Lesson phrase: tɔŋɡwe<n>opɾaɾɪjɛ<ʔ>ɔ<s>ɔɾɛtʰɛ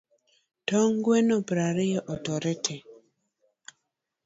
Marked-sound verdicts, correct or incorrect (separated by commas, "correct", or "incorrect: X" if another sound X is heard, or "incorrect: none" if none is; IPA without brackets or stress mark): correct, correct, incorrect: t